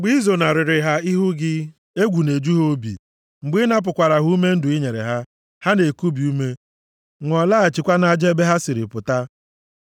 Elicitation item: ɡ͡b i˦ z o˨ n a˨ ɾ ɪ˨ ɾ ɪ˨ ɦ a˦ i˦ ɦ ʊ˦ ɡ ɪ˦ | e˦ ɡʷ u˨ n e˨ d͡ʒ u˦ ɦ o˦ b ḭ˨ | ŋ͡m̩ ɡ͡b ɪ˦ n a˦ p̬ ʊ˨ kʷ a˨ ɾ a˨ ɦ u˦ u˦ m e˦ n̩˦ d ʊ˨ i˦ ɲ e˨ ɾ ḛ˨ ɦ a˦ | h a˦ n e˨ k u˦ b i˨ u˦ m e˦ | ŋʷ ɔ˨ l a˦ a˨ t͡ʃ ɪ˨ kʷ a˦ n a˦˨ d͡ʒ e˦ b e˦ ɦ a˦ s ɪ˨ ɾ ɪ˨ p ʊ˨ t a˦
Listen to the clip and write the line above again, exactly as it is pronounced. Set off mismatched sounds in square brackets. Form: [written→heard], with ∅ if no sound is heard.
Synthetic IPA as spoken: ɡ͡b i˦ z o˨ n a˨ ɾ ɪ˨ ɾ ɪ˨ ɦ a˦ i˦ ɦ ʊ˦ ɡ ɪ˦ | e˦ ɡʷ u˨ n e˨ d͡ʒ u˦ ɦ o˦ b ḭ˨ | ŋ͡m̩ ɡ͡b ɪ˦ n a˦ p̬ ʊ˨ kʷ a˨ ɾ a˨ ɦ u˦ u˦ m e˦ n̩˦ d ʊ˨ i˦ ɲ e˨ ɾ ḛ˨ ɦ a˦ | h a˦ n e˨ k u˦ b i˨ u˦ m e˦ | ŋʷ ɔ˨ l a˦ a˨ t͡ʃ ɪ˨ kʷ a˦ n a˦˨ d͡ʒ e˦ b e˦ ɦ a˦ s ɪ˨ ɾ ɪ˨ p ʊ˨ t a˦